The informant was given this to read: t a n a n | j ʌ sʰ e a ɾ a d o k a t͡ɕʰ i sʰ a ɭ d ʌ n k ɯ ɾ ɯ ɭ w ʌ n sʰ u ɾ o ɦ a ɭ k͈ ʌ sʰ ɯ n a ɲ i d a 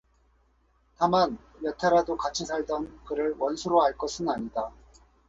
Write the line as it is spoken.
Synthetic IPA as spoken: t a m a n | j ʌ tʰ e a ɾ a d o k a t͡ɕʰ i sʰ a ɭ d ʌ n k ɯ ɾ ɯ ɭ w ʌ n sʰ u ɾ o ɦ a ɭ k͈ ʌ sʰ ɯ n a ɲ i d a